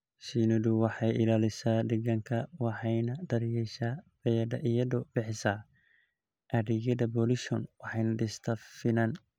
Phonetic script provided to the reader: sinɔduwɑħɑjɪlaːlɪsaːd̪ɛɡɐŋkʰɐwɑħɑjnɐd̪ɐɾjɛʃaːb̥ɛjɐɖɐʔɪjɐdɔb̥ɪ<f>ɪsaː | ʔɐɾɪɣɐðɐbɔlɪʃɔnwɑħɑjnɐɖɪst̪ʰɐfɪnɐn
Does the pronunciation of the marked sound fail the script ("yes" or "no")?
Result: yes